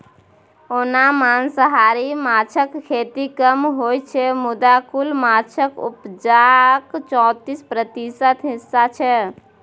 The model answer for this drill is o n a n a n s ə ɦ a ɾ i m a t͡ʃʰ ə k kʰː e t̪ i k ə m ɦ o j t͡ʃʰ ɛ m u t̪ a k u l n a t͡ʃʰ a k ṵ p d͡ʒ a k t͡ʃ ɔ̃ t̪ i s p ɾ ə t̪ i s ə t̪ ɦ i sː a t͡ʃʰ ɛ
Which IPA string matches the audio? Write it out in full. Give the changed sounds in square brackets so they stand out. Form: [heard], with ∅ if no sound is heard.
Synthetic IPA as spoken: o n a [m] a n s ə ɦ a ɾ i m a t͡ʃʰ ə k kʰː e t̪ i k ə m ɦ o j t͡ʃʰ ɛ m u [d̪] a k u l [m] a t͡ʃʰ [ə] k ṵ p d͡ʒ a k t͡ʃ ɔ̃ t̪ i s p ɾ ə t̪ i s ə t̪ ɦ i sː a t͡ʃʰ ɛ